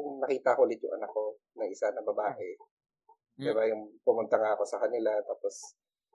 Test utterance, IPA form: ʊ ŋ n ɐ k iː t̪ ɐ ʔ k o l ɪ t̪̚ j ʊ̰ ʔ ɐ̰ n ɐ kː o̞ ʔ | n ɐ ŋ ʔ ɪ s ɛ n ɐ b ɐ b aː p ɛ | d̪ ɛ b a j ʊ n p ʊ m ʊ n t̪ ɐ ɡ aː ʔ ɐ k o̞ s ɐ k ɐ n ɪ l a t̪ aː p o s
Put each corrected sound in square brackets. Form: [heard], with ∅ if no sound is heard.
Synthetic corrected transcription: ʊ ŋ n ɐ k iː t̪ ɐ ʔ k o l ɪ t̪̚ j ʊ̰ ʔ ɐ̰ n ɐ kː o̞ [∅] | n ɐ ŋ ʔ ɪ s [a] n ɐ b ɐ b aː [ʔ] ɛ | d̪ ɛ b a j ʊ [ŋ] p ʊ m ʊ n t̪ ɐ [ŋ] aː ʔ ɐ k o̞ s ɐ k ɐ n ɪ l a t̪ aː p o s